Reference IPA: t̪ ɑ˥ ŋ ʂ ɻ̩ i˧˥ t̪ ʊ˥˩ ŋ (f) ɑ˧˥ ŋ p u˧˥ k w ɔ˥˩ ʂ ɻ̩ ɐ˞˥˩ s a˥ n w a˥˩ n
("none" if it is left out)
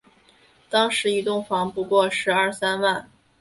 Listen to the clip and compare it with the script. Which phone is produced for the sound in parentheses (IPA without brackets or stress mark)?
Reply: f